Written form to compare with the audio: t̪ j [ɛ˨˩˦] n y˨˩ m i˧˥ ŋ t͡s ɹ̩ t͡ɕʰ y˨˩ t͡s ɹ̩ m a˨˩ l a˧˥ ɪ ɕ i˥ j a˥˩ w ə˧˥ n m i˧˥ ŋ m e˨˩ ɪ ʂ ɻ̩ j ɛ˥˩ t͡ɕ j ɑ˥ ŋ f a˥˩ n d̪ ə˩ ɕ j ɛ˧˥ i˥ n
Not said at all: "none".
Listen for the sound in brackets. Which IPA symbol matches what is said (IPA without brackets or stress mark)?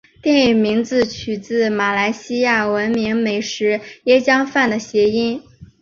ɛ˥˩